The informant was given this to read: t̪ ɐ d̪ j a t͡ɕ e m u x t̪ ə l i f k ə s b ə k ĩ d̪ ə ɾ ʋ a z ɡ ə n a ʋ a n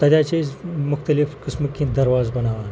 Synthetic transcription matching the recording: t̪ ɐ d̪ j a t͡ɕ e m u x t̪ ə l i f k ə s m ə k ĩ d̪ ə ɾ ʋ a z b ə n a ʋ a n